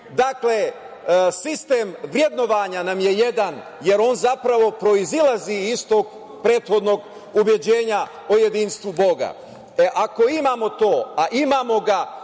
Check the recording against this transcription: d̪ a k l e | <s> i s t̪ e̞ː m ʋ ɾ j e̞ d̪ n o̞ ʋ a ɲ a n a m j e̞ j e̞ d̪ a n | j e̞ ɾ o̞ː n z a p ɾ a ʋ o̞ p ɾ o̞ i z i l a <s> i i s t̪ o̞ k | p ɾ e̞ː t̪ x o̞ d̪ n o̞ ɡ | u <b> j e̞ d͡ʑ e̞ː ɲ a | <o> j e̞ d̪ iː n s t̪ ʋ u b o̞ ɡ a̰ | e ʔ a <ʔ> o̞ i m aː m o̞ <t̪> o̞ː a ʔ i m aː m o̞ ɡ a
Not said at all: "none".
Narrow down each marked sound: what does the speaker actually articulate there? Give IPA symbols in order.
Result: s, z, b, o, k, t̪

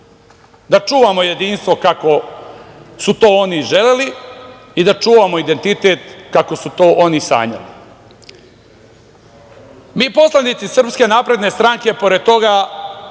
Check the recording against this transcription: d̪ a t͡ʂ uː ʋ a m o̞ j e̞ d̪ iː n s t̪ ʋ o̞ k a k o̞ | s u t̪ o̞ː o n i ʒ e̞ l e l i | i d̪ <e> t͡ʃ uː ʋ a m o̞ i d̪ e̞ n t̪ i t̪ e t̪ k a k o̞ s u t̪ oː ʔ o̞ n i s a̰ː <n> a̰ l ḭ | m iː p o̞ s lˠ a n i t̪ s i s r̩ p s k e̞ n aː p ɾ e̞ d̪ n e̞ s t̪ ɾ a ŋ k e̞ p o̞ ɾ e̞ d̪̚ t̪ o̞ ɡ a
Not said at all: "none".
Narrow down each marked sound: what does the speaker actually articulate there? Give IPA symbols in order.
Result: a, ɲ

